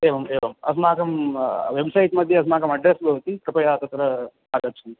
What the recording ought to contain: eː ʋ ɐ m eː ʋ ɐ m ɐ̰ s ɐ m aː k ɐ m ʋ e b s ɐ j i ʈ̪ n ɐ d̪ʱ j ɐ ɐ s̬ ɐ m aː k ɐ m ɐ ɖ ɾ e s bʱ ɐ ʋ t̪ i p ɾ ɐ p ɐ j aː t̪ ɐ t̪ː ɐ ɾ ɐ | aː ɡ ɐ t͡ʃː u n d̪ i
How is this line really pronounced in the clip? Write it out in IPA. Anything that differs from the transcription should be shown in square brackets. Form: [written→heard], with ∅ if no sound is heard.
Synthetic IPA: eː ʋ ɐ m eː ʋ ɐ m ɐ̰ s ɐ m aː k ɐ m ʋ e b s ɐ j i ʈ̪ [n→m] ɐ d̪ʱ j ɐ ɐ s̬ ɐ m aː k ɐ m ɐ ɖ ɾ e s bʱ ɐ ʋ t̪ i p ɾ ɐ p ɐ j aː t̪ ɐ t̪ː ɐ ɾ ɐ | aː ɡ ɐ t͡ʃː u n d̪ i